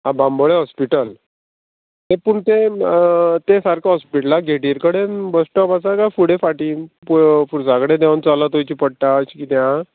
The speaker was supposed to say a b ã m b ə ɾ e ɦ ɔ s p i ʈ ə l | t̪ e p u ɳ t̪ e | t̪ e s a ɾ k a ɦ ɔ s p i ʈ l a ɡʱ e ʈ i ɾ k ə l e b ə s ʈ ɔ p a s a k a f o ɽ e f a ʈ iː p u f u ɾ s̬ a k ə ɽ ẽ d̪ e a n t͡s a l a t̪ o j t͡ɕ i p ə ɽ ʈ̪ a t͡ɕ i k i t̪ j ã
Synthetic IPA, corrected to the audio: a b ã m b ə ɭ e ɦ ɔ s p i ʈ ə l | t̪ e p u ɳ t̪ e | t̪ e s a ɾ k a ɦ ɔ s p i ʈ l a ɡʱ e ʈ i ɾ k ə ɽ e b ə s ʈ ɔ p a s a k a f u ɽ e f a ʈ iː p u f u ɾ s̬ a k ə ɽ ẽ d̪ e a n t͡s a l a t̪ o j t͡ɕ i p ə ɽ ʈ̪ a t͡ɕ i k i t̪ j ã